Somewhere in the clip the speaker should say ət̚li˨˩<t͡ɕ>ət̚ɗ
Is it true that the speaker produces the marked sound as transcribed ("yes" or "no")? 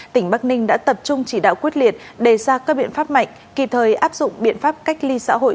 no